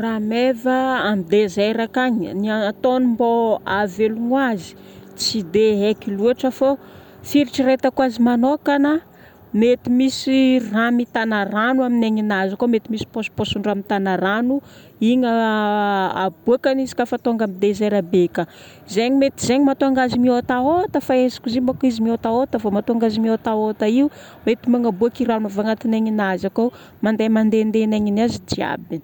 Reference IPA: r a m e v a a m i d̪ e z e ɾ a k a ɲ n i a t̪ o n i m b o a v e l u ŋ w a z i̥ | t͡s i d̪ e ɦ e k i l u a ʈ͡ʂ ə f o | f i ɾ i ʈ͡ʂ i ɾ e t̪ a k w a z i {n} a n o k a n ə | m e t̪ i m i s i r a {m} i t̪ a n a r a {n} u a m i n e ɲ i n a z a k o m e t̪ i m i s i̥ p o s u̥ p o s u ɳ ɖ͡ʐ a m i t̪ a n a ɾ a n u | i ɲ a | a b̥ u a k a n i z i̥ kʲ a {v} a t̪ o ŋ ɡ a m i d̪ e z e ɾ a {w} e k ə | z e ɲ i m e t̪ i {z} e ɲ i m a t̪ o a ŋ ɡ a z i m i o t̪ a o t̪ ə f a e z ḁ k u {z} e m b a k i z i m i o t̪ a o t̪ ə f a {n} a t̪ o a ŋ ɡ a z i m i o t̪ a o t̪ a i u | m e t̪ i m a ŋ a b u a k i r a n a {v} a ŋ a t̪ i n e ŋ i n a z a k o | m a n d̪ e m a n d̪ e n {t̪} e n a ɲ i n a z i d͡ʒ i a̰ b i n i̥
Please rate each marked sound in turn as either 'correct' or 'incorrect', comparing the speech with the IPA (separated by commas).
incorrect, correct, correct, incorrect, incorrect, correct, correct, incorrect, correct, incorrect